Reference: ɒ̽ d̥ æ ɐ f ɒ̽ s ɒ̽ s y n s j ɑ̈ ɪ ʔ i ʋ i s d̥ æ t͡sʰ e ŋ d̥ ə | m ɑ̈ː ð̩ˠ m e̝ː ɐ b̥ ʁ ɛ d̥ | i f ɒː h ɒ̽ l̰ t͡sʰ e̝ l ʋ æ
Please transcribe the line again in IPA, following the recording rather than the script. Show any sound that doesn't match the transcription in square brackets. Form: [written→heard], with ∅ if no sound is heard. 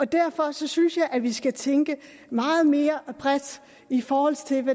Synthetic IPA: ɒ̽ d̥ æ ɐ f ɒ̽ s ɒ̽ s y n s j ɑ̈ ɪ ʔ [i→æ] ʋ i s [d̥→ɡ̥] æ t͡sʰ e ŋ [d̥→ɡ̥] ə | m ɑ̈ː ð̩ˠ m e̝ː ɐ b̥ ʁ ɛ d̥ | i f ɒː h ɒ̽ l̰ t͡sʰ e̝ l ʋ æ